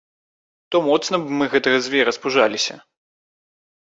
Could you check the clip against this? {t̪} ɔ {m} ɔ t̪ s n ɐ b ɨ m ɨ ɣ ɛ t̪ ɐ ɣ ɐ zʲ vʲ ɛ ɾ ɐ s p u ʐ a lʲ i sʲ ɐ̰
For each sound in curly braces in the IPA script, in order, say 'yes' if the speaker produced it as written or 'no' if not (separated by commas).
yes, yes